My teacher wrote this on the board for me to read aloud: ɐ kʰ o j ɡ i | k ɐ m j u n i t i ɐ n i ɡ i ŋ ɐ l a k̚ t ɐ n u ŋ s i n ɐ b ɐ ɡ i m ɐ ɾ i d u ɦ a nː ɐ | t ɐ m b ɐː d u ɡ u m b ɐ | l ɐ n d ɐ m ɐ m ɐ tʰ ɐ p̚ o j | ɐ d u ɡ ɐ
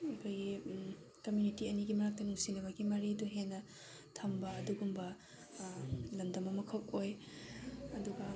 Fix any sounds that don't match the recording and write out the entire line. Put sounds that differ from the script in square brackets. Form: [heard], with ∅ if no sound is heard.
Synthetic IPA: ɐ kʰ o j ɡ i | k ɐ m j u n i t i ɐ n i ɡ i [m] ɐ [ɾ] a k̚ t ɐ n u ŋ s i n ɐ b ɐ ɡ i m ɐ ɾ i d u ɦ [e] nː ɐ | [tʰ] ɐ m b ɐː d u ɡ u m b ɐ | l ɐ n d ɐ m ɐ m ɐ [kʰ] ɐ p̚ o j | ɐ d u ɡ ɐ